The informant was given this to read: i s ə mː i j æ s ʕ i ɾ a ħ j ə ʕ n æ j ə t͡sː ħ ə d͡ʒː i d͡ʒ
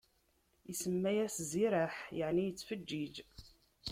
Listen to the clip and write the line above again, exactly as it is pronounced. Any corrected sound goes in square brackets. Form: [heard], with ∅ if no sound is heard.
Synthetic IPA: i s ə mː [æ] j æ s [z] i ɾ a ħ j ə ʕ n [i] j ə t͡sː [f] ə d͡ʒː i d͡ʒ

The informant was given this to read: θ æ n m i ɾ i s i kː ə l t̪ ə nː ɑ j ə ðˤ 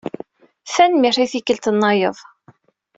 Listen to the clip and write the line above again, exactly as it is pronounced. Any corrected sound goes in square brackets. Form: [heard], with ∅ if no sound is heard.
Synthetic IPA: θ æ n m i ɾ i [θ] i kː ə l t̪ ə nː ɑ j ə ðˤ

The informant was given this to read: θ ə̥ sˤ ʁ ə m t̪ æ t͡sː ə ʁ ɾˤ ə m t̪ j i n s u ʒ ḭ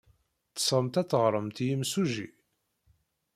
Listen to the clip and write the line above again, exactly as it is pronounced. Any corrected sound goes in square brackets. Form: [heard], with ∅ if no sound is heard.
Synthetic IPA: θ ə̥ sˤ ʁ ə m t̪ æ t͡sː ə ʁ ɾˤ ə m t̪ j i [m] s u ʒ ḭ

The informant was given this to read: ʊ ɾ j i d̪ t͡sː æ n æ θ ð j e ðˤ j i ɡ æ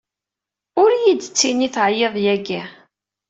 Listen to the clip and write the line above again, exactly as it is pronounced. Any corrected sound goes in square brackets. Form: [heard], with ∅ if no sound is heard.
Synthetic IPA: ʊ ɾ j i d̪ t͡sː [i] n [i] θ [ʕ] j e ðˤ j [æ] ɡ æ

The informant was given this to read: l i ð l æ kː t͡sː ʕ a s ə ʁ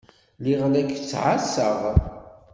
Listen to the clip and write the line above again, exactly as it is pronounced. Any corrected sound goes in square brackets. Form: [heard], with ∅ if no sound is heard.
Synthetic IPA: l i [ʁ] l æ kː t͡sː ʕ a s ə ʁ

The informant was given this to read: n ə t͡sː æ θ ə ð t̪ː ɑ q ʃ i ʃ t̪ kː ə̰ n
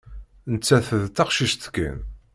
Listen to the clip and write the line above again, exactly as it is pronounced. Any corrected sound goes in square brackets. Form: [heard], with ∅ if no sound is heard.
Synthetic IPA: n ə t͡sː æ θ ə ð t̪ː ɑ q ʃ i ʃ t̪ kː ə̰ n

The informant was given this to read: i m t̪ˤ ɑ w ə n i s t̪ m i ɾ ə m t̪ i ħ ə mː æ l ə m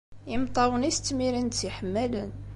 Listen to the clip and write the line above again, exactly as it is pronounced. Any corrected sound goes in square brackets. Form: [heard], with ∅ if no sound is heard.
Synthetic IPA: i m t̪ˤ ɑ w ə n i s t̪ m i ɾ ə [n] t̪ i ħ ə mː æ l ə [n]

